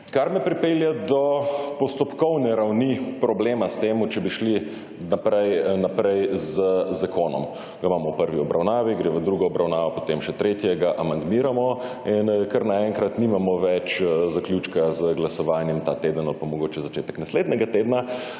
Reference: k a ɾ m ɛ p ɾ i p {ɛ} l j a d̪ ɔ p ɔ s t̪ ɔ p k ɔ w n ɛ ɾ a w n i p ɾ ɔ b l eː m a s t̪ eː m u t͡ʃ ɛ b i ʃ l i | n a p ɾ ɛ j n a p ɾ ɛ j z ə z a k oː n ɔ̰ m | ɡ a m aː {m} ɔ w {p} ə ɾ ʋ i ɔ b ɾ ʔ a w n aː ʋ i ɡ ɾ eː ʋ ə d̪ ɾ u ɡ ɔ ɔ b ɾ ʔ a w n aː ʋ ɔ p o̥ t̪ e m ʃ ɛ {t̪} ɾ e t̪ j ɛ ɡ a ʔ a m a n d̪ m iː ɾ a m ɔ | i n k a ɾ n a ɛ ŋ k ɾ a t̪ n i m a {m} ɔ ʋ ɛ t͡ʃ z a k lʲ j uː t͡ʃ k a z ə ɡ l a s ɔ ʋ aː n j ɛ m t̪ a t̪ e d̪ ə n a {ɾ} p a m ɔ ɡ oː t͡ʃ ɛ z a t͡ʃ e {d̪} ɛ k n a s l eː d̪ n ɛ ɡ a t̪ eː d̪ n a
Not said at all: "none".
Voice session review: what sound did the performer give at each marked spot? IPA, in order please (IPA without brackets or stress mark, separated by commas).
e, m, p, t̪, m, l, t̪